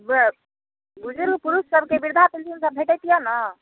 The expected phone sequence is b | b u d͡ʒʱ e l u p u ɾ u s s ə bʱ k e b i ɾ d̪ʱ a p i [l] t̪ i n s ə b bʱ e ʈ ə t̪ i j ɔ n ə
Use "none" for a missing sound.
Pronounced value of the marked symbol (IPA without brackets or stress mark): l